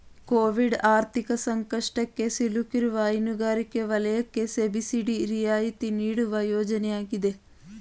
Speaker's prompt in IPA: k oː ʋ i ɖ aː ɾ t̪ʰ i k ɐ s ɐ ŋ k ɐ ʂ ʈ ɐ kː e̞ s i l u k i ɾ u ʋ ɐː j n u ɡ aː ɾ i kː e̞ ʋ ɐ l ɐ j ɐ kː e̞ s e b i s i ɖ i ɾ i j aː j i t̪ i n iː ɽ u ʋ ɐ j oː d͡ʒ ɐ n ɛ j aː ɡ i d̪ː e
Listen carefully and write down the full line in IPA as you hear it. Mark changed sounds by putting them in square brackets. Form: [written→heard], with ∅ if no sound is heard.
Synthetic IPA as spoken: k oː ʋ i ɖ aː ɾ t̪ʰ i k ɐ s ɐ ŋ k ɐ ʂ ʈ ɐ kː e̞ s i l u k i ɾ u ʋ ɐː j n u ɡ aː ɾ i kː e̞ ʋ ɐ l ɐ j ɐ kː e̞ s e b i s i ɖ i ɾ i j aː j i t̪ i n iː ɽ u ʋ ɐ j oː d͡ʒ ɐ n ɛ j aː ɡ i [d̪ː→d̪] e